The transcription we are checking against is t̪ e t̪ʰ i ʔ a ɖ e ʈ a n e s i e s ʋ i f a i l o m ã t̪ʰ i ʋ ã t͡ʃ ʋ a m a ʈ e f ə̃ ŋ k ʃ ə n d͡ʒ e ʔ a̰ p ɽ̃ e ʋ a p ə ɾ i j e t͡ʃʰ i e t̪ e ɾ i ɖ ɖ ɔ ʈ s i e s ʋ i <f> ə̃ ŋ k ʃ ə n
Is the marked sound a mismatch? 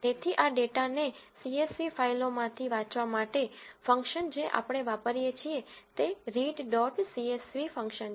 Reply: no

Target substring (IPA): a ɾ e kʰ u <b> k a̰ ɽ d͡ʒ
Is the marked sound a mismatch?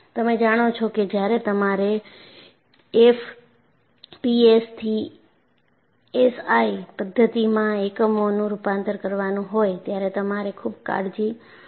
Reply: no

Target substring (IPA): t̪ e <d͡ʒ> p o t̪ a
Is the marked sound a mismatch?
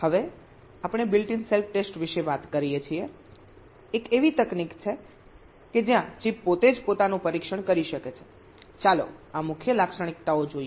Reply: no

